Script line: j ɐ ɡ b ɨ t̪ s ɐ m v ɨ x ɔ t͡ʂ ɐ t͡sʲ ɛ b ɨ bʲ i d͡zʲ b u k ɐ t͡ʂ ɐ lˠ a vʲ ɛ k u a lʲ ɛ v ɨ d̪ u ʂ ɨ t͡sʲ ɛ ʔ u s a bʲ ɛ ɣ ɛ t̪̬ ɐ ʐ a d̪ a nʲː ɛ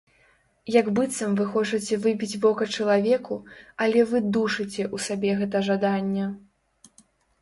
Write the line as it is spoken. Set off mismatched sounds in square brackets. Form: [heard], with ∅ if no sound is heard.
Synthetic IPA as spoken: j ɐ ɡ b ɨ t̪ s ɐ m v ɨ x ɔ t͡ʂ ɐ t͡sʲ ɛ [v] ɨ bʲ i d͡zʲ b [ɔ] k ɐ t͡ʂ ɐ lˠ a vʲ ɛ k u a lʲ ɛ v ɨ d̪ u ʂ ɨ t͡sʲ ɛ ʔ u s a bʲ ɛ ɣ ɛ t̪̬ ɐ ʐ a d̪ a nʲː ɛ